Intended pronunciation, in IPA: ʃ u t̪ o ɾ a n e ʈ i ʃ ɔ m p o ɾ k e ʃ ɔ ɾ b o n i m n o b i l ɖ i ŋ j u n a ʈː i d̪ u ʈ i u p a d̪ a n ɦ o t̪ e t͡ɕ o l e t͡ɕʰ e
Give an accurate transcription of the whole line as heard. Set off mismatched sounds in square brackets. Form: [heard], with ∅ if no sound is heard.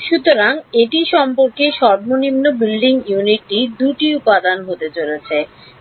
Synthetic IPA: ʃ u t̪ o ɾ a [ŋ] e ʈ i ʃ ɔ m p o ɾ k e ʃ ɔ ɾ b o n i m n o b i l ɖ i ŋ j u n [i] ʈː i d̪ u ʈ i u p a d̪ a n ɦ o t̪ e t͡ɕ o l e t͡ɕʰ e

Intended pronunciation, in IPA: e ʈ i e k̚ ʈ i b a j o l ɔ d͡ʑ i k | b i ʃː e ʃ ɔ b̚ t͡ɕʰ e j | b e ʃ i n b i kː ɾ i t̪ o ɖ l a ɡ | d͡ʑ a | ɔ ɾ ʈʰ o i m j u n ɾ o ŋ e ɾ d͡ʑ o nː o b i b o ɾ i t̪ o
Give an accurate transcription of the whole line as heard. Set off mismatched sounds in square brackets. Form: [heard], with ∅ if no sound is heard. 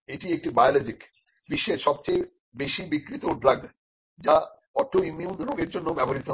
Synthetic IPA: e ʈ i e k̚ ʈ i b a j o l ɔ d͡ʑ i k | b i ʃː e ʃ ɔ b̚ [t͡ɕ] e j | b e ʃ i [∅] b i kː ɾ i t̪ o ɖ [ɾ] a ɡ | d͡ʑ a | ɔ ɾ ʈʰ o i m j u n ɾ o [ɡ] e ɾ d͡ʑ o nː o b [ɛ] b o ɾ i t̪ o

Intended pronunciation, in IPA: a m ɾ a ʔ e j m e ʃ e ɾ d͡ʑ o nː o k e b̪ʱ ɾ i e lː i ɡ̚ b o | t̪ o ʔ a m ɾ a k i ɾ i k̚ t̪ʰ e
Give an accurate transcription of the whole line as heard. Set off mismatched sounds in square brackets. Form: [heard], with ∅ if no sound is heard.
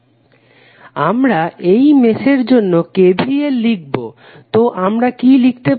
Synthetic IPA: a m ɾ a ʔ e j m e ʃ e ɾ d͡ʑ o nː o k e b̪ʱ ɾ i e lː i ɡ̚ b o | t̪ o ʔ a m ɾ a k i [l] i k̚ [t̪] e

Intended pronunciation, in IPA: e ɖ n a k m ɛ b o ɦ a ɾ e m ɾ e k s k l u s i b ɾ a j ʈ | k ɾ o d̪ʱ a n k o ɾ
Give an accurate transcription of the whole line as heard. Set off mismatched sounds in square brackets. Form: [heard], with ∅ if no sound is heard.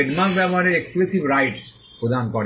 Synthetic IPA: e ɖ [m] a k [b] ɛ b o ɦ a ɾ e [∅] ɾ e k s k l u s i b ɾ a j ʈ | [p] ɾ o d̪ʱ a n k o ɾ

